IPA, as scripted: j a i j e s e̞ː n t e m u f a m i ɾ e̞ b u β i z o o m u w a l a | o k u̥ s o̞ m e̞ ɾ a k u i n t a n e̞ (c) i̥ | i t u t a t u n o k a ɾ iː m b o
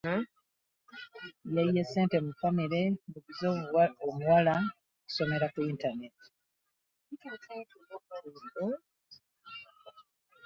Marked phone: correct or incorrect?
incorrect